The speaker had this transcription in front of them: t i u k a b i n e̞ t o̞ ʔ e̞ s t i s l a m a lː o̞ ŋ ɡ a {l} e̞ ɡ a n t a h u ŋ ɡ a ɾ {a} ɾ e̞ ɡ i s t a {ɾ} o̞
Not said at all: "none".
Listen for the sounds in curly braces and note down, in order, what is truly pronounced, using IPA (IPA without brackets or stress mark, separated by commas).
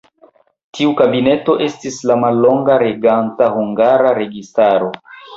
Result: ɾ, a, ɾ